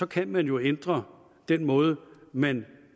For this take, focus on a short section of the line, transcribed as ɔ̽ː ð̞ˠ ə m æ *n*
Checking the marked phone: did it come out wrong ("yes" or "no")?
no